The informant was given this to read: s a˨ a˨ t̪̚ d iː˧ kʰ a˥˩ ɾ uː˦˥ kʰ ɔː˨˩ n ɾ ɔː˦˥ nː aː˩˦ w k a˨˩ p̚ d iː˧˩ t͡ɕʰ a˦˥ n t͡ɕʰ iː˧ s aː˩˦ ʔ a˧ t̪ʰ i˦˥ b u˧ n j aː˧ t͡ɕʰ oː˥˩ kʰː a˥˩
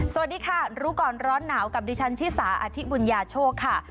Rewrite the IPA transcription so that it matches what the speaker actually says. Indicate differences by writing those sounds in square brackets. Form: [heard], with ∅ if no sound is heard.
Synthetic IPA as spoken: s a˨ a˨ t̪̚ d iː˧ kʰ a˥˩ ɾ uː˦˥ [k] ɔː˨˩ n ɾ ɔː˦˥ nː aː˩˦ w k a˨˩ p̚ d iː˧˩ t͡ɕʰ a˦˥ n t͡ɕʰ [iː˥˩] s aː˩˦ ʔ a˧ t̪ʰ i˦˥ b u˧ n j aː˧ t͡ɕʰ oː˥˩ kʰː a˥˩